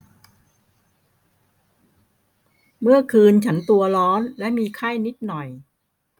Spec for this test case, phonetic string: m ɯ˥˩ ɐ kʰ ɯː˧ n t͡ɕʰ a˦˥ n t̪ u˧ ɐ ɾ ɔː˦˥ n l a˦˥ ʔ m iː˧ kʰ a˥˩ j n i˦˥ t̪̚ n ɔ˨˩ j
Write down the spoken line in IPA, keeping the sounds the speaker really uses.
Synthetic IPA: m ɯ˥˩ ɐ kʰ ɯː˧ n t͡ɕʰ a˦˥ n t̪ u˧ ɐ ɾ ɔː˦˥ n l ɛ˦˥ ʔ m iː˧ kʰ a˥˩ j n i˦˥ t̪̚ n ɔ˨˩ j